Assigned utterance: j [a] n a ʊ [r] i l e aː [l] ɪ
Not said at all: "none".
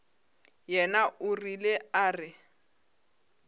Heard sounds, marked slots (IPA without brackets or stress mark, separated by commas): ɛ, r, r